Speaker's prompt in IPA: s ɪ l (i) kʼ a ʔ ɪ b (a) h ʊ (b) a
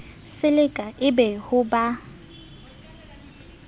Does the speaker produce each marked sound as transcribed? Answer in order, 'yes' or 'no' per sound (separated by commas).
no, no, yes